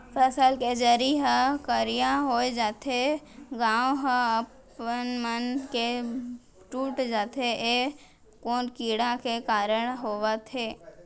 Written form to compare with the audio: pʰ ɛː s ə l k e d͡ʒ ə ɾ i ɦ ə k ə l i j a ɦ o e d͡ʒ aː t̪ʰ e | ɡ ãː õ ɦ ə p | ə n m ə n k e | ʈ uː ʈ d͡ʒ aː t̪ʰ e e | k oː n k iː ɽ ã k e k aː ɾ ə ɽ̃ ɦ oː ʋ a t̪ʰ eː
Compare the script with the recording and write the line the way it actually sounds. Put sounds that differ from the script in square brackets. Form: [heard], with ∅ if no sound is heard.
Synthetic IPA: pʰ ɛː s ə l k e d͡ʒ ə ɾ i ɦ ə k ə [ɾ] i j a ɦ o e d͡ʒ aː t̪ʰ e | ɡ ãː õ ɦ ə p | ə n m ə n k e | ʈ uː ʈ d͡ʒ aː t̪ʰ e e | k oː n k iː ɽ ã k e k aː ɾ ə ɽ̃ ɦ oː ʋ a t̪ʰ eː